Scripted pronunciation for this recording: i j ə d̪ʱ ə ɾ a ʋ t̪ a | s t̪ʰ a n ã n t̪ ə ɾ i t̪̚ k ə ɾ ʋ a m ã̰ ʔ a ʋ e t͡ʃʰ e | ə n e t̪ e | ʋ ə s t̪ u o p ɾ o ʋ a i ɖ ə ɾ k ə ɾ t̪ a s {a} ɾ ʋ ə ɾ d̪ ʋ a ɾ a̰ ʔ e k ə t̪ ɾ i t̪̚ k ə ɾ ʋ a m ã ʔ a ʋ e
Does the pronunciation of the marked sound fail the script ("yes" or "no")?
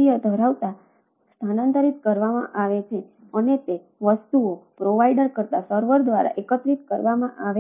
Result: yes